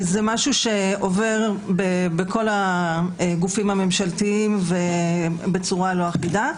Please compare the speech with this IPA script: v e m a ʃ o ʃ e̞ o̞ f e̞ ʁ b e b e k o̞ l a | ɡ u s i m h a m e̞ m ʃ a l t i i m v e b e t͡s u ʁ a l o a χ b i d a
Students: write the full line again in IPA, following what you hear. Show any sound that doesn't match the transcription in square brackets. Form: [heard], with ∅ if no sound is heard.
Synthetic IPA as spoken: [z] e m a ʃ [u] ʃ e̞ o̞ [v] e̞ ʁ b e b e k o̞ l a | ɡ u [f] i m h a m e̞ m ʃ a l t i i m v e b e t͡s u ʁ a l o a χ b i d a